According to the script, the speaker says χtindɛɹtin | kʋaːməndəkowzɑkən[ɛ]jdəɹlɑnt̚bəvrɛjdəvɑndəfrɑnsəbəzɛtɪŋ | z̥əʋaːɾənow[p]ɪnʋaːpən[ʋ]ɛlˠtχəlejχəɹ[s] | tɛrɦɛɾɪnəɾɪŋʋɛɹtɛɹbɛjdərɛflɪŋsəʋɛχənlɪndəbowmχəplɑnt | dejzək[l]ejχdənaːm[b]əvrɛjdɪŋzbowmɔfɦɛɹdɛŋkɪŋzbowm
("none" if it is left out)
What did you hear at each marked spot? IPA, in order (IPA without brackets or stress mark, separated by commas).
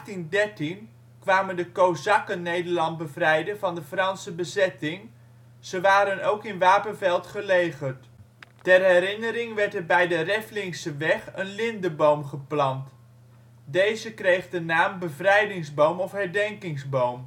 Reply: e, k, v, t, r, b